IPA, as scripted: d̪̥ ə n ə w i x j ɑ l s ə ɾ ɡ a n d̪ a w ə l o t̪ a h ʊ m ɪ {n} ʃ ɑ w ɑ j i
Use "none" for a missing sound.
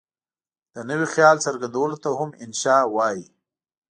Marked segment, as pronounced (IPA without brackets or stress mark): n